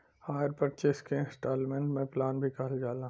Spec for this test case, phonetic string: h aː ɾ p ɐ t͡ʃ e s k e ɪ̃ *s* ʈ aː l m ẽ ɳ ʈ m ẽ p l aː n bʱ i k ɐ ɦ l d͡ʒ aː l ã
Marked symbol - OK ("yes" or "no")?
yes